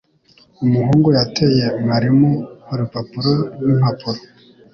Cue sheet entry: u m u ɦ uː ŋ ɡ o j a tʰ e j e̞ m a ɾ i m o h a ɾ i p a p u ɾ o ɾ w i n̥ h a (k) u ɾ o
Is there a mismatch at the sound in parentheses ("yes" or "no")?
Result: yes